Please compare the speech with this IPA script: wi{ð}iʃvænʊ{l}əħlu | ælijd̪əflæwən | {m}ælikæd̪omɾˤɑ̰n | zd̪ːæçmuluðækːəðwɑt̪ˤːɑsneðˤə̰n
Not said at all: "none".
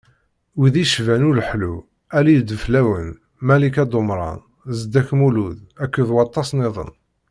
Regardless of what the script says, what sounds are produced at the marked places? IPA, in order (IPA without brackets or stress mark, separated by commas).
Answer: ð, l, m